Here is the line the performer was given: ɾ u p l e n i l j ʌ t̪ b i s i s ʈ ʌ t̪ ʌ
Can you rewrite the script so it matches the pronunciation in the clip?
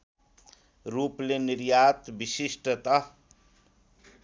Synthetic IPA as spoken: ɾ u p l e n i ɾ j a t̪ b i s i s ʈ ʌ t̪ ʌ

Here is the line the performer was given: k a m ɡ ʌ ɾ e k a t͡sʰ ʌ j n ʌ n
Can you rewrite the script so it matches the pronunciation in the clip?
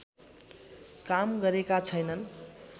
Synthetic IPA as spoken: k a m ɡ ʌ ɾ e k a t͡sʰ ʌ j n ʌ n

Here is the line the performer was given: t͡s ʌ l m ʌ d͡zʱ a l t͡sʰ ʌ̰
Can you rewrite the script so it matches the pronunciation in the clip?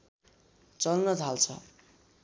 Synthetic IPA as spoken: t͡s ʌ l n ʌ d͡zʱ a l t͡sʰ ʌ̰

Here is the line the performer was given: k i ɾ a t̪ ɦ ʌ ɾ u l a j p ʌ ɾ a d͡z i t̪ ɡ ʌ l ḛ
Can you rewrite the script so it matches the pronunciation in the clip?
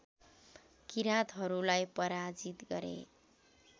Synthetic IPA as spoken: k i ɾ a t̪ ɦ ʌ ɾ u l a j p ʌ ɾ a d͡z i t̪ ɡ ʌ ɾ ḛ

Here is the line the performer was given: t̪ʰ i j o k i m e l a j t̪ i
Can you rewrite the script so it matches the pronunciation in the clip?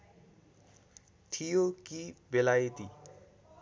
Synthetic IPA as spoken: t̪ʰ i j o k i b e l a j t̪ i

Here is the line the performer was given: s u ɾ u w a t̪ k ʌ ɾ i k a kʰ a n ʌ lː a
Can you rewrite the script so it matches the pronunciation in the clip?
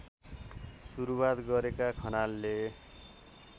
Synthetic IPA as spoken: s u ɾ u w a t̪ ɡ ʌ ɾ e k a kʰ ʌ n a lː e

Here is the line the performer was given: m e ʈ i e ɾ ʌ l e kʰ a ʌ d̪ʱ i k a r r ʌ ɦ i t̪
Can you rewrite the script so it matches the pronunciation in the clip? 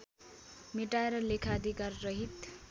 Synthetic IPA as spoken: m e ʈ a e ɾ ʌ l e kʰ a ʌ d̪ʱ i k a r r ʌ ɦ i t̪

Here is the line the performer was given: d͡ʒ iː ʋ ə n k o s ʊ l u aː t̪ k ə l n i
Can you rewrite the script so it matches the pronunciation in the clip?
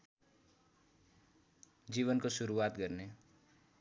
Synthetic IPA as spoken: d͡ʒ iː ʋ ə n k o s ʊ ɾ u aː t̪ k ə ɾ n e

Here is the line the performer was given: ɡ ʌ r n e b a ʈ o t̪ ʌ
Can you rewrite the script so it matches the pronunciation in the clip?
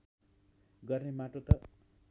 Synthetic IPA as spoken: ɡ ʌ r n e m a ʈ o t̪ ʌ

